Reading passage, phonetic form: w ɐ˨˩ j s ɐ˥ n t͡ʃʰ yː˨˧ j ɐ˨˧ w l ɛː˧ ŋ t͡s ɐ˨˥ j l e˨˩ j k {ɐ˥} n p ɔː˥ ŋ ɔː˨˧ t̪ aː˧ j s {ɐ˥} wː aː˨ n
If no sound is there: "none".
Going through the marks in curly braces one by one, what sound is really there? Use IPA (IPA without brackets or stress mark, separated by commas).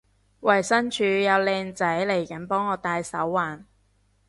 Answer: ɐ˨˥, ɐ˨˥